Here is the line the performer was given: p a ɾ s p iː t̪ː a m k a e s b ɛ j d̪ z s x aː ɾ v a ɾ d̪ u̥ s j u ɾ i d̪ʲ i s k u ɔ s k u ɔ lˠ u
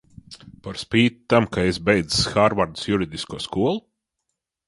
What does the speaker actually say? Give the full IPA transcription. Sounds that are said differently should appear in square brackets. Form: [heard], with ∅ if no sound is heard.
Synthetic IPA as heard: p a ɾ s p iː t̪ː a m k a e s b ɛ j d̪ z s x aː ɾ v a ɾ d̪ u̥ s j u ɾ i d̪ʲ i s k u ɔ s k u ɔ lˠ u

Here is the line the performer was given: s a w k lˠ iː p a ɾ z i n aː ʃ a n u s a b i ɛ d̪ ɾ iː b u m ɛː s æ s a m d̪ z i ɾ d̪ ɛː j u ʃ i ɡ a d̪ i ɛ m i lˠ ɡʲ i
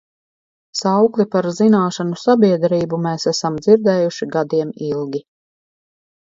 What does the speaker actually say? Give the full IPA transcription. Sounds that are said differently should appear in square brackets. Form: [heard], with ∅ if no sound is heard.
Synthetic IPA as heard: s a w k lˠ [i] p a ɾ z i n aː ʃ a n u s a b i ɛ d̪ ɾ iː b u m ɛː s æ s a m d̪ z i ɾ d̪ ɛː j u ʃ i ɡ a d̪ i ɛ m i lˠ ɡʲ i

